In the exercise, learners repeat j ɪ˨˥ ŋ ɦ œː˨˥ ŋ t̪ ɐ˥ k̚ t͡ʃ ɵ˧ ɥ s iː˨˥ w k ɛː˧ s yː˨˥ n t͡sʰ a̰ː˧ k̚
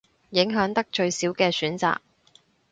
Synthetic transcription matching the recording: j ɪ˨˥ ŋ ɦ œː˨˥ ŋ t̪ ɐ˥ k̚ t͡ʃ ɵ˧ ɥ s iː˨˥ w k ɛː˧ s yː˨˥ n t͡s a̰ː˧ k̚

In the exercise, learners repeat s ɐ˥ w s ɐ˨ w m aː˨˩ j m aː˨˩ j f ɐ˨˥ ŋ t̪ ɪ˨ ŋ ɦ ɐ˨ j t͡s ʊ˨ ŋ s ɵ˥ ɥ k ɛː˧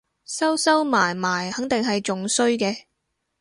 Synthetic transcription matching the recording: s ɐ˥ w s ɐ˥ w m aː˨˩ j m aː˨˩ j h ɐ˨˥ ŋ t̪ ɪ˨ ŋ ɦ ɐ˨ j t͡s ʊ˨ ŋ s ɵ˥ ɥ k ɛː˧

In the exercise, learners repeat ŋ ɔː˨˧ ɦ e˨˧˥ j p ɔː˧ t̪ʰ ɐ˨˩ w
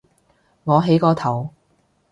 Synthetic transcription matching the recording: ŋ ɔː˨˧ ɦ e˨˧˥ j k ɔː˧ t̪ʰ ɐ˨˩ w

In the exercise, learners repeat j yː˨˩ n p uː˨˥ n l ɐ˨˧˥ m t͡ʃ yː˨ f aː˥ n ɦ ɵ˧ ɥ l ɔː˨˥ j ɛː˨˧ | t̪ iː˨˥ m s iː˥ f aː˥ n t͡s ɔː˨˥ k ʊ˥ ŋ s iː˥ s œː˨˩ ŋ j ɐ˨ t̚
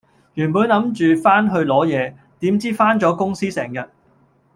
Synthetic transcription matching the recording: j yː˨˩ n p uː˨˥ n l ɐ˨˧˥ m t͡ʃ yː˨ f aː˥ n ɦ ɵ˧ ɥ l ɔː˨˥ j ɛː˨˧ | t̪ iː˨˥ m t͡s iː˥ f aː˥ n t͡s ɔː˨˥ k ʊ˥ ŋ s iː˥ s ɛː˨˩ ŋ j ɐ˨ t̚

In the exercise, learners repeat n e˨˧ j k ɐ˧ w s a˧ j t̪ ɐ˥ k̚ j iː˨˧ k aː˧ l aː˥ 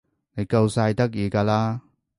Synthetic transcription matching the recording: n e˨˧ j k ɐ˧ w s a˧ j t̪ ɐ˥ k̚ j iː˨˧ k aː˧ l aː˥

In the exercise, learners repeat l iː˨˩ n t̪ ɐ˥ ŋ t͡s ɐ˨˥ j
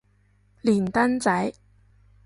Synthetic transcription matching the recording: l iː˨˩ n t̪ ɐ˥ n t͡s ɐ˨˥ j

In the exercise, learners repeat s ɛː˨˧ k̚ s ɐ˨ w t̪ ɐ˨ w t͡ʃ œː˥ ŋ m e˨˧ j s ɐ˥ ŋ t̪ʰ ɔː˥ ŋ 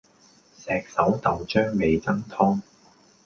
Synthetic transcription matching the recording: s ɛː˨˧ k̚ s ɐ˨˥ w t̪ ɐ˨ w t͡ʃ œː˥ ŋ m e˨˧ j t͡s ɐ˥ ŋ t̪ʰ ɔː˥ ŋ

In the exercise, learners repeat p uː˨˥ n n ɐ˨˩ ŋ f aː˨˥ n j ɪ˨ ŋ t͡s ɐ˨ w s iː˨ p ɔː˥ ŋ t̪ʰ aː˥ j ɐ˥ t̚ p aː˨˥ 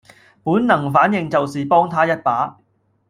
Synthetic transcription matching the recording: p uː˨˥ n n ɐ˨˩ ŋ f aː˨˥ n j ɪ˨ ŋ t͡s ɐ˨ w s iː˨ p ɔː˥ ŋ t̪ʰ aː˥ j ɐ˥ t̚ p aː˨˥

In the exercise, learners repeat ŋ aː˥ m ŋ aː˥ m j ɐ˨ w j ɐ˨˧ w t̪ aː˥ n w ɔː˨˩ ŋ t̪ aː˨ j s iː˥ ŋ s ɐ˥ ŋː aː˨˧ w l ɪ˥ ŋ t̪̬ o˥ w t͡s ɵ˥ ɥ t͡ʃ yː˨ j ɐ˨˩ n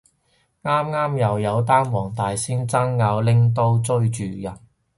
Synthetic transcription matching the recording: ŋ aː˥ m ŋ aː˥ m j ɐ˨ w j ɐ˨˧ w t̪ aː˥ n w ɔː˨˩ ŋ t̪ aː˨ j s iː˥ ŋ t͡s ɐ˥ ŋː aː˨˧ w l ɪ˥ ŋ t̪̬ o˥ w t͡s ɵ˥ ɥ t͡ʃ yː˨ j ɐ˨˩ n

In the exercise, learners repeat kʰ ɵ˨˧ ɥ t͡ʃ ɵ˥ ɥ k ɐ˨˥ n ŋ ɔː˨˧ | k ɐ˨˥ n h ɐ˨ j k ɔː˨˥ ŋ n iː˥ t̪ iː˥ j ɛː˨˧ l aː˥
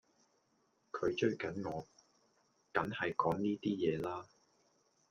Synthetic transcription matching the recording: kʰ ɵ˨˧ ɥ t͡ʃ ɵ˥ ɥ k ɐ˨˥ n ŋ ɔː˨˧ | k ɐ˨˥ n h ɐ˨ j k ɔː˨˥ ŋ n iː˥ t̪ iː˥ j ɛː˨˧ l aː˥

